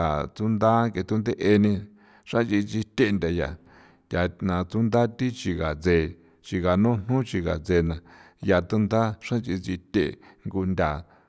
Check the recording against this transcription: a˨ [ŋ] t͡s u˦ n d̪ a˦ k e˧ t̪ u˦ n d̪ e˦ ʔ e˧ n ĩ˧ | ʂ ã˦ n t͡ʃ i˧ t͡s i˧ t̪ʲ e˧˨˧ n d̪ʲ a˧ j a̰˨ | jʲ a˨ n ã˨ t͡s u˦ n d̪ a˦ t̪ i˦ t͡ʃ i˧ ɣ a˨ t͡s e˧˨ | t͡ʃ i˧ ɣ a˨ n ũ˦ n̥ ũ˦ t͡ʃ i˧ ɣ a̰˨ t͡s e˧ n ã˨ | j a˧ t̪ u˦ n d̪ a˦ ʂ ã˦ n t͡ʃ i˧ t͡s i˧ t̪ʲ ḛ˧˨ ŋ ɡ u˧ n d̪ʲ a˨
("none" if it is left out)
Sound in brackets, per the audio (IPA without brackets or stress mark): none